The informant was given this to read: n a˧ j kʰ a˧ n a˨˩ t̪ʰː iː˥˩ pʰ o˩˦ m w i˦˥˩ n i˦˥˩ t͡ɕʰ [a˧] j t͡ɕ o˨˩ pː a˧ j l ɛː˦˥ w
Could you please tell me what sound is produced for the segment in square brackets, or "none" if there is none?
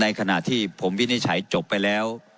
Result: a˩˦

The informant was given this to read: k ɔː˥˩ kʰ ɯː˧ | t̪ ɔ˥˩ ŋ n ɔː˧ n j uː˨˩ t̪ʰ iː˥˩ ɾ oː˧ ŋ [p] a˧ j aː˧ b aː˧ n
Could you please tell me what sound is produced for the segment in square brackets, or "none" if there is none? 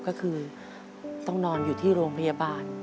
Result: pʰ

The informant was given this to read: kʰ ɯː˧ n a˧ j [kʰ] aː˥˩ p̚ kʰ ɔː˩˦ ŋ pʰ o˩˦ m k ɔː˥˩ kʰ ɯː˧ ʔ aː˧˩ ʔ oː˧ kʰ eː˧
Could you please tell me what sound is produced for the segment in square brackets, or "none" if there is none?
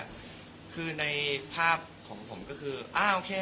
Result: pʰ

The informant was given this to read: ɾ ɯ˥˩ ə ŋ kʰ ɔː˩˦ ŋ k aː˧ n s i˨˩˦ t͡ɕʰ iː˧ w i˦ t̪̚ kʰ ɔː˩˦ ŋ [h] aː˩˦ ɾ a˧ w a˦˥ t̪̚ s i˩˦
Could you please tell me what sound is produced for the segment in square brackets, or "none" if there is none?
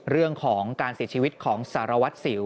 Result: s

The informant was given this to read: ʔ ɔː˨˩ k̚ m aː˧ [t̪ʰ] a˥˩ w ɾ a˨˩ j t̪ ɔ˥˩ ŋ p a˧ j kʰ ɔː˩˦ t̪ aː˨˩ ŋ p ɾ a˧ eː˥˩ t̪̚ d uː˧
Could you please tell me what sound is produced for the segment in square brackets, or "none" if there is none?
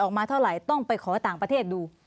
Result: t̪ʰ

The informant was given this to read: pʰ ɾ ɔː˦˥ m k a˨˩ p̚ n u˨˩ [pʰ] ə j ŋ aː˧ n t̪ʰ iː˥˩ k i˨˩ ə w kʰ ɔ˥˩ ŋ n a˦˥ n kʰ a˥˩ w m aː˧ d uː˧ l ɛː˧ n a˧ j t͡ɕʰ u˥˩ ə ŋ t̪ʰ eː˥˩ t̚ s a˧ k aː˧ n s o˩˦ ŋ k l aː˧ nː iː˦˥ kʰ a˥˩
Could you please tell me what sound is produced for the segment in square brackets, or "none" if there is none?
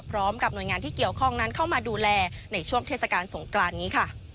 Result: none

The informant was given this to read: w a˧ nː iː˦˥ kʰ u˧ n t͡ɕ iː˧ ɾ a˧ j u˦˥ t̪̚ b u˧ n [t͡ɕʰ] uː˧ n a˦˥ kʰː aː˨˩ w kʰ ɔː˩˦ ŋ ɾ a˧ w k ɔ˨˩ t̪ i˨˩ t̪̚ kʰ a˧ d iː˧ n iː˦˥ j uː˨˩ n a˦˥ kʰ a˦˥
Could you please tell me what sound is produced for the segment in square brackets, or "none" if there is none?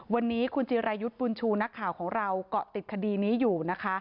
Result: t͡ɕʰ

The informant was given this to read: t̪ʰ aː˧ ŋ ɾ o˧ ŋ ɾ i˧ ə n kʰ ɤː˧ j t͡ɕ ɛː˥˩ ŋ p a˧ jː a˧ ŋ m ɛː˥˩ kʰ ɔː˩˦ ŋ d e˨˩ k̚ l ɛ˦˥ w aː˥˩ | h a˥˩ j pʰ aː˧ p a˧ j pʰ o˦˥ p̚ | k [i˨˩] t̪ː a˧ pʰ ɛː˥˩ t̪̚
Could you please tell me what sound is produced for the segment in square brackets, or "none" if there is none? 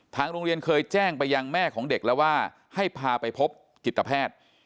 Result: i˨˩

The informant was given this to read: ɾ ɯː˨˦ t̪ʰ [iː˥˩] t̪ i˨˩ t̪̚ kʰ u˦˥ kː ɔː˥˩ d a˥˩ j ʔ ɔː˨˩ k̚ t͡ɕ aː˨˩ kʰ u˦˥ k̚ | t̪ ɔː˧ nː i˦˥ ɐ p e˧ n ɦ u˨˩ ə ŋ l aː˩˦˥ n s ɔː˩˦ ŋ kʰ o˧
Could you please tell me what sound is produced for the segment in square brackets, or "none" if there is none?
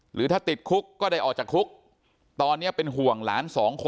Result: aː˥˩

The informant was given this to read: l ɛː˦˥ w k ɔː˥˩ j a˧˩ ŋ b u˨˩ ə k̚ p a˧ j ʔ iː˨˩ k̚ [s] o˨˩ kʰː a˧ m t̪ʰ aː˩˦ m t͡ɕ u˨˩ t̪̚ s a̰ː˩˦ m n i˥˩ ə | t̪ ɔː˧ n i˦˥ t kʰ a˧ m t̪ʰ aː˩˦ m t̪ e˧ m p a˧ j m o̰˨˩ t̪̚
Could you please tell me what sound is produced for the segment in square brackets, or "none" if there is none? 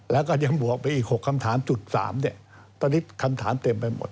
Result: h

